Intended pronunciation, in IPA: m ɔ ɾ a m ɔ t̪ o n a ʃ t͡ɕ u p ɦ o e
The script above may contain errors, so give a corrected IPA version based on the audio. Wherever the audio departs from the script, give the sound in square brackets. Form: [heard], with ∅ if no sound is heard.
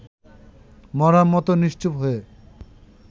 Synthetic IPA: m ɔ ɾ a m ɔ t̪ o n [i] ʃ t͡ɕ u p ɦ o e